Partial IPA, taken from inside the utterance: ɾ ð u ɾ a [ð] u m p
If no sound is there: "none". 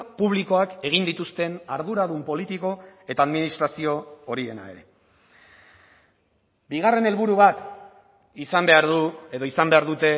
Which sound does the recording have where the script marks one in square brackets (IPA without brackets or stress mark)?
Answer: ð